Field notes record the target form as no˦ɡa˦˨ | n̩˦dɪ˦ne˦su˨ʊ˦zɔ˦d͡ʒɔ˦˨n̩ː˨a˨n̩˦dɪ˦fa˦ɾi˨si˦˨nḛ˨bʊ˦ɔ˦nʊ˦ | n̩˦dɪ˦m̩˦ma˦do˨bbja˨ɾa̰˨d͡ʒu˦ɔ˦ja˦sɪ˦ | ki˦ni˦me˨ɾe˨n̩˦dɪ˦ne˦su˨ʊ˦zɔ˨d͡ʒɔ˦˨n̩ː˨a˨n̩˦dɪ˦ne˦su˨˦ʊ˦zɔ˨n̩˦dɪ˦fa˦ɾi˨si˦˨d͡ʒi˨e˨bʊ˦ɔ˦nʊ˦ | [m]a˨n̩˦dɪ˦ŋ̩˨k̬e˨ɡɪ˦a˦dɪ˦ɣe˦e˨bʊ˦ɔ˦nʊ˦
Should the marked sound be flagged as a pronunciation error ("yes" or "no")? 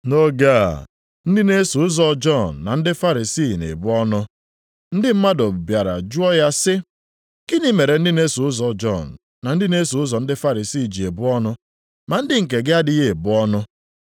no